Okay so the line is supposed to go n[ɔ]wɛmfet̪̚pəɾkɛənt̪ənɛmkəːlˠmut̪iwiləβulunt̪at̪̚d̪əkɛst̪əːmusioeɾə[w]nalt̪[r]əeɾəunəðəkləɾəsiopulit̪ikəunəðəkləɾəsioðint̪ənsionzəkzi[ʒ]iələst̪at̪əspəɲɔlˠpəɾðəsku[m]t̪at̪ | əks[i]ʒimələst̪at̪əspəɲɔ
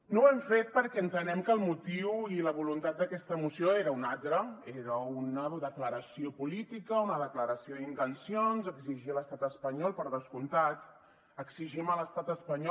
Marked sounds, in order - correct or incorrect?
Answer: incorrect: o, incorrect: u, incorrect: ɾ, correct, incorrect: n, correct

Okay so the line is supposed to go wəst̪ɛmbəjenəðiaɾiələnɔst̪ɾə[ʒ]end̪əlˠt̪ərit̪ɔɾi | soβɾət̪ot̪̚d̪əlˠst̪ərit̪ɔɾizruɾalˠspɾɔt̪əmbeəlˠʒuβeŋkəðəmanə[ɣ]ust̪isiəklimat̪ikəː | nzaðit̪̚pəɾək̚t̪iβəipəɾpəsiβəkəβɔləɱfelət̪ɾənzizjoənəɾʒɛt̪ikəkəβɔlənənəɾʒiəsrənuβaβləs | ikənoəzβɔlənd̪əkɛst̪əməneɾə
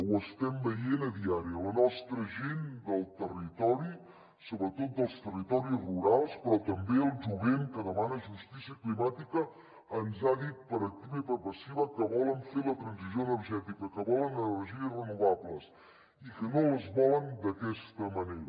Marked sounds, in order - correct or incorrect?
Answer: correct, incorrect: ʒ

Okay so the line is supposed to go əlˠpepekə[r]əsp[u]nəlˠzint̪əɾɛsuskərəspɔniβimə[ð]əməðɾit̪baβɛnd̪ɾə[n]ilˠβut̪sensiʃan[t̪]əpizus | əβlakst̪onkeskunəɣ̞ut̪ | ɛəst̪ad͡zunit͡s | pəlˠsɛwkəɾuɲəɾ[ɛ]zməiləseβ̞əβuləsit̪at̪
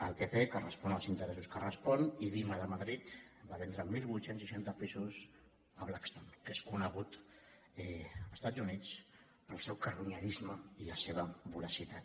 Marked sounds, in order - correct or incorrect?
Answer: correct, incorrect: ɔ, correct, incorrect: m, correct, incorrect: i

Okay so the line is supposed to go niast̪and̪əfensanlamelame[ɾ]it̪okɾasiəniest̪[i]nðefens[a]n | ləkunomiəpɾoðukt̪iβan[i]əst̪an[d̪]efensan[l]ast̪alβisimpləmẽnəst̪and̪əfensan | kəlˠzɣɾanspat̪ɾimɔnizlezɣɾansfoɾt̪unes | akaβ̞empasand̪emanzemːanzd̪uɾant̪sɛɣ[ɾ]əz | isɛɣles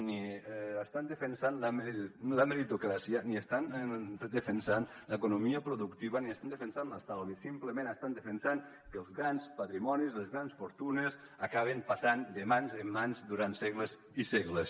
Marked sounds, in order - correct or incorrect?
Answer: correct, incorrect: a, correct, correct, correct, correct, incorrect: l

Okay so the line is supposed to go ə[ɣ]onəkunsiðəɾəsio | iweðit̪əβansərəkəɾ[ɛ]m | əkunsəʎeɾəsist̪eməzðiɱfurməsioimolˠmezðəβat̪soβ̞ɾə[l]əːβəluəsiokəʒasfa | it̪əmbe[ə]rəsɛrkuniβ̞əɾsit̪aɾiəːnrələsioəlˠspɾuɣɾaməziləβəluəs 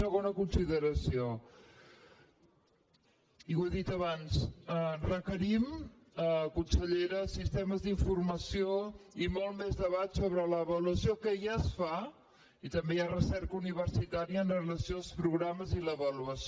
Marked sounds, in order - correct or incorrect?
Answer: correct, incorrect: i, correct, incorrect: a

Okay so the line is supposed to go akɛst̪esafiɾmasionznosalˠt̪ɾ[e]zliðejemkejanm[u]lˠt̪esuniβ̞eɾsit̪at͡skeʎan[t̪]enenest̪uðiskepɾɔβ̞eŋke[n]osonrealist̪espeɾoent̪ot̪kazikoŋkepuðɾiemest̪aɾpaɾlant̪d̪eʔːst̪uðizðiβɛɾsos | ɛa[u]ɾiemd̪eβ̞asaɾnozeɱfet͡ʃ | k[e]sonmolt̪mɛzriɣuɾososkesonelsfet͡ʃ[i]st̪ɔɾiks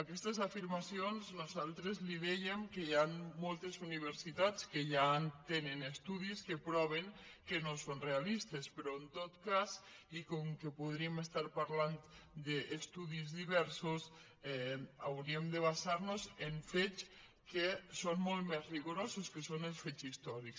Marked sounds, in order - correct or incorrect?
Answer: correct, incorrect: o, correct, correct, incorrect: w, correct, correct

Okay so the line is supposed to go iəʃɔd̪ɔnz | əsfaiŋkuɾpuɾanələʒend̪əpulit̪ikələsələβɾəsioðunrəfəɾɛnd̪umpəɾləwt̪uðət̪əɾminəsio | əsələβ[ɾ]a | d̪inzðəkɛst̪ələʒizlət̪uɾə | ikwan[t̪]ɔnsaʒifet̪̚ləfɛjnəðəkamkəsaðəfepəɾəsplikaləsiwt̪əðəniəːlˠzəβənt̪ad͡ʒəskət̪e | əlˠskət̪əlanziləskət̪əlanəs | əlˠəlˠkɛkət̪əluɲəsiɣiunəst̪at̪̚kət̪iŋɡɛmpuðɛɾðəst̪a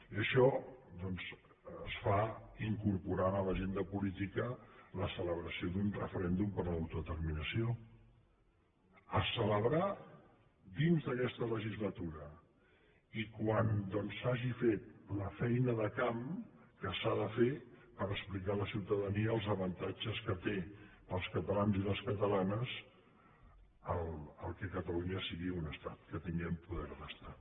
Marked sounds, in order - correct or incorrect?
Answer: correct, incorrect: d̪

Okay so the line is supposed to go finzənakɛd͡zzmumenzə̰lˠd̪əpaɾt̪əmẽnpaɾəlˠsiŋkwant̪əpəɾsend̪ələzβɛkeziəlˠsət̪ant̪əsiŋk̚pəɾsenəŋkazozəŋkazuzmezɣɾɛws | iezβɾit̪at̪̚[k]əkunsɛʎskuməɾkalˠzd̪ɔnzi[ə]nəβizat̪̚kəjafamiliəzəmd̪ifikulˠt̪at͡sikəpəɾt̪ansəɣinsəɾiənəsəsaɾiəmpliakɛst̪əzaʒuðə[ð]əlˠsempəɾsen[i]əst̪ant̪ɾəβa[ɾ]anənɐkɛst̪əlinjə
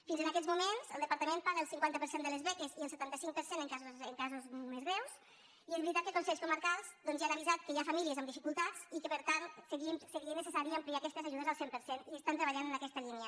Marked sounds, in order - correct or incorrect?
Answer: correct, incorrect: a, incorrect: z, correct, incorrect: ʎ

